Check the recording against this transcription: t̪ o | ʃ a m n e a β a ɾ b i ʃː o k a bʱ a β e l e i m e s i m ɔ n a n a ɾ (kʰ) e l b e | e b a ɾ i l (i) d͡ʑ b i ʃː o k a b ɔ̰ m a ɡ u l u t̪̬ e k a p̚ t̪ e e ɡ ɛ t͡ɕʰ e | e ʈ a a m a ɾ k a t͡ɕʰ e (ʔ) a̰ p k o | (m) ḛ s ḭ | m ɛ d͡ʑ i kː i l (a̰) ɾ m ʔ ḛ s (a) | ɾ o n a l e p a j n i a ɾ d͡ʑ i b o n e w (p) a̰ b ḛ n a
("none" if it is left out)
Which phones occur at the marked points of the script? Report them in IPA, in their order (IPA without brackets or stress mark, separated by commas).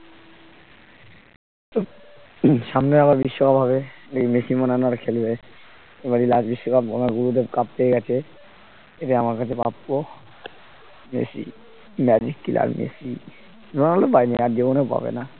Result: kʰ, a, p, m, a̰, i, p